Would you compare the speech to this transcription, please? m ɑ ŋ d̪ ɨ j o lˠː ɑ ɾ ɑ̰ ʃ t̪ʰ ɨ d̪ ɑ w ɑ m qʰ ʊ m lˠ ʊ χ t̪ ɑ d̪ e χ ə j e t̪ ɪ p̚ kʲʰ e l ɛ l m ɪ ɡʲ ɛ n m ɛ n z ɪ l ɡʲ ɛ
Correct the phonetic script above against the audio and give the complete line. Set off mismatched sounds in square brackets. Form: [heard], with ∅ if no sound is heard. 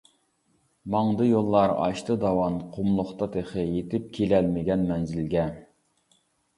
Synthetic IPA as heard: m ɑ ŋ d̪ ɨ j o lˠː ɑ ɾ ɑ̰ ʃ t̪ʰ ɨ d̪ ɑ w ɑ [n] qʰ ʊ m lˠ ʊ χ t̪ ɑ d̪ e χ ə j e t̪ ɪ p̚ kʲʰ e l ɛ l m ɪ ɡʲ ɛ n m ɛ n z ɪ l ɡʲ ɛ